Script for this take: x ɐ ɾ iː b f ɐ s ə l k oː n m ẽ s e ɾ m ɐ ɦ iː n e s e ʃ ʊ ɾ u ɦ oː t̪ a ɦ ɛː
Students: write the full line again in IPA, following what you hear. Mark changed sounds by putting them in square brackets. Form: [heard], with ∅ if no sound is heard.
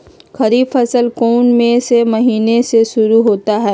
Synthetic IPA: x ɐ ɾ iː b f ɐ s ə l k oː n m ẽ s e [∅] m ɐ ɦ iː n e s e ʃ ʊ ɾ u ɦ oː t̪ a ɦ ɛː